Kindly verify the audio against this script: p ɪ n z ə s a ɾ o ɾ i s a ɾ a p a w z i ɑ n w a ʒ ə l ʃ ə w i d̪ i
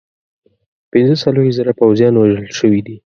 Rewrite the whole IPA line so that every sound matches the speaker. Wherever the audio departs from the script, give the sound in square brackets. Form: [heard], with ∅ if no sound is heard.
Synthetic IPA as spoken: p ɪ n z ə s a [l] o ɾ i [z] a ɾ a p a w z [j] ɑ n w a ʒ ə l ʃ ə w i d̪ i